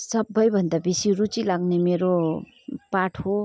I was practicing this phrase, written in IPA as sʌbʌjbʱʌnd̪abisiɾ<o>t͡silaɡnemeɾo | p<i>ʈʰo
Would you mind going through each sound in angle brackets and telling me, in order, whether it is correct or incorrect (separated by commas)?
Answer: incorrect, incorrect